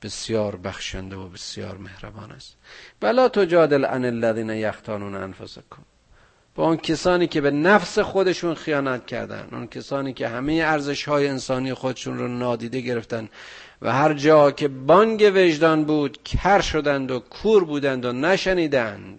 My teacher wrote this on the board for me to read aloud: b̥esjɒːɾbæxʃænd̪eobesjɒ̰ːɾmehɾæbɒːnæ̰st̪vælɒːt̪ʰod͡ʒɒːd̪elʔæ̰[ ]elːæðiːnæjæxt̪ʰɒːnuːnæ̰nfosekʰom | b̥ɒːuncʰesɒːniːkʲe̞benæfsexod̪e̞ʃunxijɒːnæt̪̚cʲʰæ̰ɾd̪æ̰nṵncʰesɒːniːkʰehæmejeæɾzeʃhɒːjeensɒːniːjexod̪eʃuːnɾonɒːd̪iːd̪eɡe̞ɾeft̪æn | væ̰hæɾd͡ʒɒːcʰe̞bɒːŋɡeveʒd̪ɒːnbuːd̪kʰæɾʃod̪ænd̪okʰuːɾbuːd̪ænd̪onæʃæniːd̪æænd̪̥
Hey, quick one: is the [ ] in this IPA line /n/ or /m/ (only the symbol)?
n